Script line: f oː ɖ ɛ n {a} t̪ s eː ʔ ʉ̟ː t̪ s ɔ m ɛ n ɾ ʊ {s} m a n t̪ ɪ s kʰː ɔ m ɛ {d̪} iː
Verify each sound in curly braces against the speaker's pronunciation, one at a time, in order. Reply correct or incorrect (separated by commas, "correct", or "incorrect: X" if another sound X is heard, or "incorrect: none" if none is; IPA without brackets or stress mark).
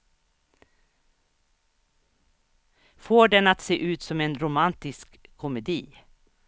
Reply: correct, incorrect: none, correct